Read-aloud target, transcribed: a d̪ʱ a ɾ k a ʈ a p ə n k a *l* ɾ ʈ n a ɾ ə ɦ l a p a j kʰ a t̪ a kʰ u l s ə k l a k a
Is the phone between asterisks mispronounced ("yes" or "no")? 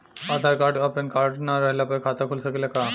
yes